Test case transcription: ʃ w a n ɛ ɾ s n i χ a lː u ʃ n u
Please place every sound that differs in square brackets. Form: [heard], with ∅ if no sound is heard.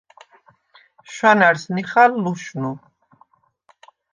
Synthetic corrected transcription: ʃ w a n [a] ɾ s n i χ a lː u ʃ n u